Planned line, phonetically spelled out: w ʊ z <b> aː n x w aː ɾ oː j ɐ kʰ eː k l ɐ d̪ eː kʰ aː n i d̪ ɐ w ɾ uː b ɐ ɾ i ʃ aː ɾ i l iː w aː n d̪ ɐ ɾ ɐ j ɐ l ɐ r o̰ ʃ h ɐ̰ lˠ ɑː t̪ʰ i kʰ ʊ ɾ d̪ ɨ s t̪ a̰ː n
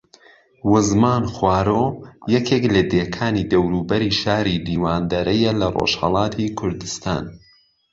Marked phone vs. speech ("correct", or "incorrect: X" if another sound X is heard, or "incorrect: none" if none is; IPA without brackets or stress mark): incorrect: m